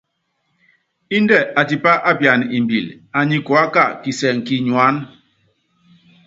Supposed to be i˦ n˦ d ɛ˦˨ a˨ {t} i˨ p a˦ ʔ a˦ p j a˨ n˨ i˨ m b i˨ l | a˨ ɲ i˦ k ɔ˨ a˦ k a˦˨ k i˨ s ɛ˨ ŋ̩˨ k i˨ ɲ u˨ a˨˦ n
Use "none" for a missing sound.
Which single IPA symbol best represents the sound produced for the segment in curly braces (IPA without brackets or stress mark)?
t